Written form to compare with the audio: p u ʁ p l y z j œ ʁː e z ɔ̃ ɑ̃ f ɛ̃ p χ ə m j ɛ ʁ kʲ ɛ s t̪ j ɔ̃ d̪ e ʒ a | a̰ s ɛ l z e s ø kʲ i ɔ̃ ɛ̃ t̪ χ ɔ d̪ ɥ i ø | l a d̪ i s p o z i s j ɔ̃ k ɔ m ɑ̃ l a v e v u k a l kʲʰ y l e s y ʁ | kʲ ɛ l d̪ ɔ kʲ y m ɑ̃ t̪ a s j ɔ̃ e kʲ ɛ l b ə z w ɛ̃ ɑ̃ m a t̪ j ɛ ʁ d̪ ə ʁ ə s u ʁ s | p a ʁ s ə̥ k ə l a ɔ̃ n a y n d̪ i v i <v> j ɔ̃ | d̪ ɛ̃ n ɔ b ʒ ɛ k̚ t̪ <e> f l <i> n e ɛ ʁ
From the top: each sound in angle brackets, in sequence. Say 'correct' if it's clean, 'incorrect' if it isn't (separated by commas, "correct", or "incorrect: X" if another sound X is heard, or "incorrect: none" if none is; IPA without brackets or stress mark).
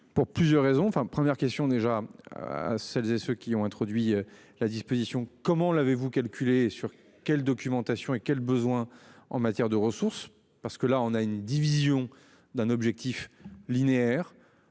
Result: incorrect: z, incorrect: i, correct